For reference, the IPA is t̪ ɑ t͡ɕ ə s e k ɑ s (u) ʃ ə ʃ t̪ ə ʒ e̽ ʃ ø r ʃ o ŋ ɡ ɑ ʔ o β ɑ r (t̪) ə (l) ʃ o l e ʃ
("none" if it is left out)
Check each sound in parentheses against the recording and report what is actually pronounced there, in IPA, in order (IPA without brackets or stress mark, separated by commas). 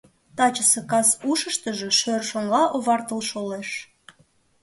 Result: u, t̪, l